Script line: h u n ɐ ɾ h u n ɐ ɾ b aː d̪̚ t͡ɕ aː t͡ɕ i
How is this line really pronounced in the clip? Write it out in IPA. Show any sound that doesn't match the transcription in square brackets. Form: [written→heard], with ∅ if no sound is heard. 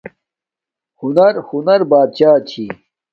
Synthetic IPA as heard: h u n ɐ ɾ h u n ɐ ɾ b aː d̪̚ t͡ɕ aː [t͡ɕ→t͡ɕʰ] i